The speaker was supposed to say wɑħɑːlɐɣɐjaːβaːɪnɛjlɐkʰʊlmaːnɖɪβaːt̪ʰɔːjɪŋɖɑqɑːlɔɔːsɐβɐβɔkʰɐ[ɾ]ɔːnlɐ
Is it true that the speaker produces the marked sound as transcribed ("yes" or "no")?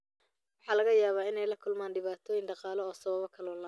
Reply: no